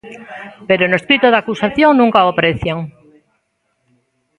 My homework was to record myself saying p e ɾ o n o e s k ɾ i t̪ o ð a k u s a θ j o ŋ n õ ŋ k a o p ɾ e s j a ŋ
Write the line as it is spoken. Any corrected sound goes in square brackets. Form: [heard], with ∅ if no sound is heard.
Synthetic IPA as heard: p e ɾ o n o e s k ɾ i t̪ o ð a k u s a θ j o ŋ n [ũ] ŋ k a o p ɾ e [θ] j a ŋ

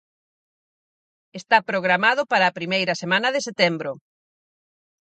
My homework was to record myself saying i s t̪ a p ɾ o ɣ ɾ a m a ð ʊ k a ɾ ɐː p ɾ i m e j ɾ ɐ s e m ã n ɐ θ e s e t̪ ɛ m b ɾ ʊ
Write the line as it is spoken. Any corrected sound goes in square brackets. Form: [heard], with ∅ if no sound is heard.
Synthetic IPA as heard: [e] s t̪ a p ɾ o ɣ ɾ a m a ð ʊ [p] a ɾ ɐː p ɾ i m e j ɾ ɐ s e m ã n ɐ [ð] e s e t̪ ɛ m b ɾ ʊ

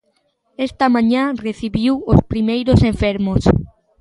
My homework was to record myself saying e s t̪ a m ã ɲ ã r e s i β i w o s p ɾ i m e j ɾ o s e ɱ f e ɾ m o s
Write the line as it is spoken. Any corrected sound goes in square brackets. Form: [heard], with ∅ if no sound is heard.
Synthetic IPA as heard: e s t̪ a m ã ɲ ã r e [θ] i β i w o s p ɾ i m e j ɾ o s e ɱ f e ɾ m o s

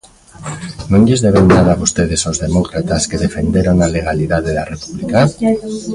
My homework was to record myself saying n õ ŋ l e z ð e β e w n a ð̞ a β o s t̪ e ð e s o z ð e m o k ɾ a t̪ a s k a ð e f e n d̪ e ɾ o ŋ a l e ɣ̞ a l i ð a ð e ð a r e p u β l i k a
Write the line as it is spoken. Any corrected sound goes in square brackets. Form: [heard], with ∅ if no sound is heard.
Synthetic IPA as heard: n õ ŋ [ʎ] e z ð e β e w n a ð̞ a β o s t̪ e ð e s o z ð e m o k ɾ a t̪ a s k [e] ð e f e n d̪ e ɾ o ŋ a l e ɣ̞ a l i ð a ð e ð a r e p u β l i k a

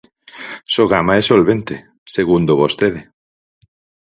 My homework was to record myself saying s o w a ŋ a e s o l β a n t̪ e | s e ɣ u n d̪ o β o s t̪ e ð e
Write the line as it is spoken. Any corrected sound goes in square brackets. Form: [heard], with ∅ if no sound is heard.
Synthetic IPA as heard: s o [ɣ] a [m] a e s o l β [e] n t̪ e | s e ɣ u n d̪ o β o s t̪ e ð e

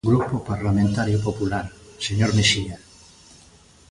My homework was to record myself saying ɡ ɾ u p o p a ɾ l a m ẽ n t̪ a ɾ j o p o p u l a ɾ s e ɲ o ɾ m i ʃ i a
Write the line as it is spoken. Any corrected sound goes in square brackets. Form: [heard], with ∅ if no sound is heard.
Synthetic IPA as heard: ɡ ɾ u p o p a ɾ l a m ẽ n t̪ a ɾ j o p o p u l a ɾ s e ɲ o ɾ m [e] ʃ i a

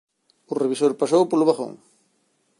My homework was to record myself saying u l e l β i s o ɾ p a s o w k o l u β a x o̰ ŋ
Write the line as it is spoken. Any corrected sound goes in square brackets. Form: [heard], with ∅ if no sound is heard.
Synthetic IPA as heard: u [r] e [∅] β i s o ɾ p a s o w [p] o l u β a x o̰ ŋ

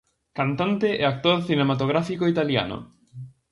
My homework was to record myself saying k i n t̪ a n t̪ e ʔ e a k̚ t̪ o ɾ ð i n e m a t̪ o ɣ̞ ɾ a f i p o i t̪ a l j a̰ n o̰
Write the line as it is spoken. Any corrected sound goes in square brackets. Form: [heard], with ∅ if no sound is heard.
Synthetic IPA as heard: k [a] n t̪ a n t̪ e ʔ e a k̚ t̪ o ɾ [θ] i n e m a t̪ o ɣ̞ ɾ a f i [k] o i t̪ a l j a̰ n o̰

